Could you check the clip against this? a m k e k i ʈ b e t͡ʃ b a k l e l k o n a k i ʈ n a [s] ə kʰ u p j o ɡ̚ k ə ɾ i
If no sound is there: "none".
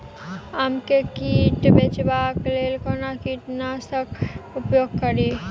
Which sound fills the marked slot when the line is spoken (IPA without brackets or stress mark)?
s